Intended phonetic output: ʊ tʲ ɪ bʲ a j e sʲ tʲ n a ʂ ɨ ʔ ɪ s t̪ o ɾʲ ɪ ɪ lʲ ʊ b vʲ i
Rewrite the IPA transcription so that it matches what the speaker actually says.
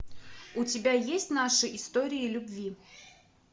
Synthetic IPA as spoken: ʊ tʲ ɪ bʲ a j e sʲ tʲ n a ʂ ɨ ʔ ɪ s t̪ o ɾʲ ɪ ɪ lʲ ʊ b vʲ i